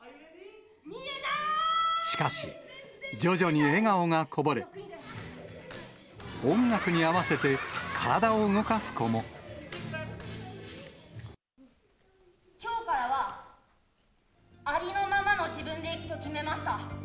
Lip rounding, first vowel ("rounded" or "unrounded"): unrounded